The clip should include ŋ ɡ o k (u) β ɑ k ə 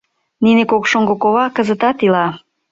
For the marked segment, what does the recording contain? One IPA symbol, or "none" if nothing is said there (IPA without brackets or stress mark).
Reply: o